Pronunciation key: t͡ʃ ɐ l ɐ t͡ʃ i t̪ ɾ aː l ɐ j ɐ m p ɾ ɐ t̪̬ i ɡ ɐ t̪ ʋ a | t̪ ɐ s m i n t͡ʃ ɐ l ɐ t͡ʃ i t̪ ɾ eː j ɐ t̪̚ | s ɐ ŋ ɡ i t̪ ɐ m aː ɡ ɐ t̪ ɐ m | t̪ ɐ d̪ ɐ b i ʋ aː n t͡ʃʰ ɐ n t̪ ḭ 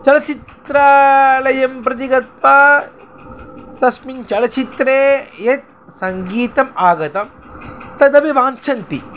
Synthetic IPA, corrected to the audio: t͡ʃ ɐ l ɐ t͡ʃ i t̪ ɾ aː l ɐ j ɐ m p ɾ ɐ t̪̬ i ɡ ɐ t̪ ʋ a | t̪ ɐ s m i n t͡ʃ ɐ l ɐ t͡ʃ i t̪ ɾ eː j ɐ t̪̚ | s ɐ ŋ ɡ iː t̪ ɐ m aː ɡ ɐ t̪ ɐ m | t̪ ɐ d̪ ɐ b i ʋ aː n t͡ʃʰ ɐ n t̪ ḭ